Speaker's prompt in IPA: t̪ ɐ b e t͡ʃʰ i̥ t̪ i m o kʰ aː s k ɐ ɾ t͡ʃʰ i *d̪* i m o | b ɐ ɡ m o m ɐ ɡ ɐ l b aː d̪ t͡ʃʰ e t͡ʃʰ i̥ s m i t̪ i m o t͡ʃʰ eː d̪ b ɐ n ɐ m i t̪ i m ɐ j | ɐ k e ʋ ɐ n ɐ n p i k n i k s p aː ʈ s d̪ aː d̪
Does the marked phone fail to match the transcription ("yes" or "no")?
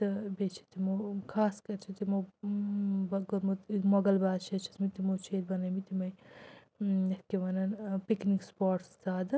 yes